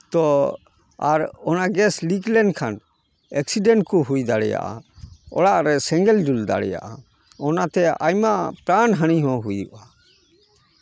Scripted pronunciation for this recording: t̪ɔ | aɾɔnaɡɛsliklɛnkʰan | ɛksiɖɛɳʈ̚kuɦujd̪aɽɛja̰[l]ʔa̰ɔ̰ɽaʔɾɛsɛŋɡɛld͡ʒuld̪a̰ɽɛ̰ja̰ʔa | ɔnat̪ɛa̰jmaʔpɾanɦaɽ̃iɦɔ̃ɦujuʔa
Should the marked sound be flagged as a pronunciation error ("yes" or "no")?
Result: yes